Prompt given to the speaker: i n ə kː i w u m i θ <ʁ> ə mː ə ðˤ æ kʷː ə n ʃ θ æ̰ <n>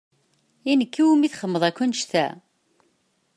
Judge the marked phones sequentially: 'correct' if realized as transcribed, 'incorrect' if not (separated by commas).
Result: incorrect, incorrect